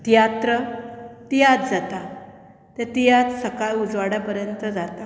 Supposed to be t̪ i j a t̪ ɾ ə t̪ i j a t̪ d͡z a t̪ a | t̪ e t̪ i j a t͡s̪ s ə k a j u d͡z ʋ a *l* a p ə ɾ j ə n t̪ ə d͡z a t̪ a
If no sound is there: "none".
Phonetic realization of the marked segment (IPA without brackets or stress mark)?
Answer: ɽ